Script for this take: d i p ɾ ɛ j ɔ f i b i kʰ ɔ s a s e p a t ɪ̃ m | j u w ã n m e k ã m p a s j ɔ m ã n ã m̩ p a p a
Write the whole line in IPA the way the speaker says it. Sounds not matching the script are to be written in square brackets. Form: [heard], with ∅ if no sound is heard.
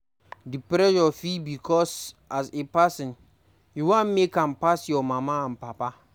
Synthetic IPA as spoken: d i p ɾ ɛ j ɔ f i b i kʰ ɔ s a s e p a [s] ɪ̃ [n] | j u w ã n m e k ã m p a s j ɔ m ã [m] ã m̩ p a p a